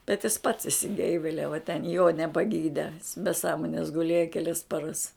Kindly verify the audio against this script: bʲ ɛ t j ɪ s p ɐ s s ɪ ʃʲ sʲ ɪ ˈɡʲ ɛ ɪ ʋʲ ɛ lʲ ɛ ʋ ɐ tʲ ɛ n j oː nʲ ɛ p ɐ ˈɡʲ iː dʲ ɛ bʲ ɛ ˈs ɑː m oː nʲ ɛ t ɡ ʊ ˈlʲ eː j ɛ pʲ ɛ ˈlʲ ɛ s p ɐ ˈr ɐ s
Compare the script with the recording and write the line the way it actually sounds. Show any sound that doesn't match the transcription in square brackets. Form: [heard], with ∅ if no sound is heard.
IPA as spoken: bʲ ɛ t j ɪ s p ɐ [t] s ɪ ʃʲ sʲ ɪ ˈɡʲ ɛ ɪ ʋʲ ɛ lʲ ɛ ʋ ɐ tʲ ɛ n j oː nʲ ɛ p ɐ ˈɡʲ iː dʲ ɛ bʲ ɛ ˈs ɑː m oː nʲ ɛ [s] ɡ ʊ ˈlʲ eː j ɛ [kʲ] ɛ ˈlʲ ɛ s p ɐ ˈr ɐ s